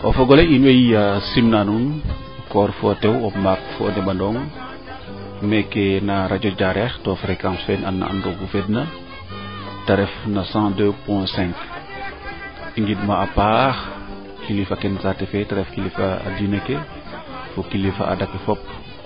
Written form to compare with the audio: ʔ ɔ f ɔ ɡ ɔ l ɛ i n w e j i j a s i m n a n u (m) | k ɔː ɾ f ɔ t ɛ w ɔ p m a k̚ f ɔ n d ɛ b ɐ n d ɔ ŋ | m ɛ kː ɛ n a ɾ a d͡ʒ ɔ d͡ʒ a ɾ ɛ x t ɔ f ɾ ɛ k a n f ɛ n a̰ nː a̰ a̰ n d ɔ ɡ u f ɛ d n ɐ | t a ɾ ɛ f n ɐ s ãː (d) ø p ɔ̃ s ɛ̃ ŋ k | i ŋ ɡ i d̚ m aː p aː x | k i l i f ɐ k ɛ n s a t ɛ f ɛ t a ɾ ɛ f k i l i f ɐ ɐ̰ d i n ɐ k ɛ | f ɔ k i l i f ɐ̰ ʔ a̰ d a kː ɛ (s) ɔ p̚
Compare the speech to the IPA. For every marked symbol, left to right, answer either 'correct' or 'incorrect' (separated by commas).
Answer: incorrect, correct, incorrect